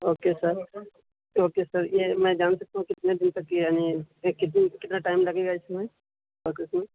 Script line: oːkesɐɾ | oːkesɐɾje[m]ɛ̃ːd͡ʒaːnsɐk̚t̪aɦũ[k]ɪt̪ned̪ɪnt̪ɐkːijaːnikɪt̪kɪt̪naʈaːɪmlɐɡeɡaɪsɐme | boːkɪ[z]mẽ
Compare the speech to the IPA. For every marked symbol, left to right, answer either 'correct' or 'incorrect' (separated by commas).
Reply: correct, correct, incorrect